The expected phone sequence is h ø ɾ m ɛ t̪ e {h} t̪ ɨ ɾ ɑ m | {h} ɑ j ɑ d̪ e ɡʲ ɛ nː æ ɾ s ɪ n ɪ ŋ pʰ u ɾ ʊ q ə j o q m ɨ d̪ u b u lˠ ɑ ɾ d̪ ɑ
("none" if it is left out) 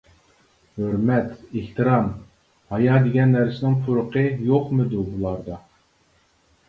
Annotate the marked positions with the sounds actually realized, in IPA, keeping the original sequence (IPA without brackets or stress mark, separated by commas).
h, h